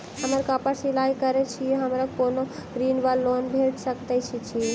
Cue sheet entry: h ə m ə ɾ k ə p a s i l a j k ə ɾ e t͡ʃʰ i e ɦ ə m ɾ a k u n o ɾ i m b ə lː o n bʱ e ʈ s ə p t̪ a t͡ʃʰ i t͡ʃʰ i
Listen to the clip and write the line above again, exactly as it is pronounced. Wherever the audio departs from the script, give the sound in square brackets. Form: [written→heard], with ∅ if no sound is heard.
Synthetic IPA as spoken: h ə m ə ɾ k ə p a s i l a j k ə ɾ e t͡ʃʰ i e ɦ ə m ɾ a k [u→o] n o ɾ i [m→n] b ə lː o n bʱ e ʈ s ə [p→k] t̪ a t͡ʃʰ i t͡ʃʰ i